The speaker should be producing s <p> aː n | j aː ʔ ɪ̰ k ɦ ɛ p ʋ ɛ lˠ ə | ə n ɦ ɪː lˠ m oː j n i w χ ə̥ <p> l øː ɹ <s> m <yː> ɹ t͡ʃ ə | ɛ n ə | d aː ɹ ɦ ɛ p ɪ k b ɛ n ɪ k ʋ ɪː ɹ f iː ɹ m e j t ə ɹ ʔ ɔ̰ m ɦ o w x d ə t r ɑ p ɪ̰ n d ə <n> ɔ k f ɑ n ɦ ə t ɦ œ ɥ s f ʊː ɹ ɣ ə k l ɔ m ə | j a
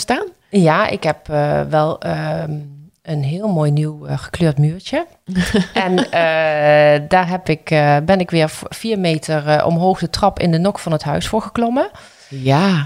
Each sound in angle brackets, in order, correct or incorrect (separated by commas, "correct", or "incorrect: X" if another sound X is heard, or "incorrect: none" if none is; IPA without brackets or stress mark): incorrect: t, incorrect: k, incorrect: t, correct, correct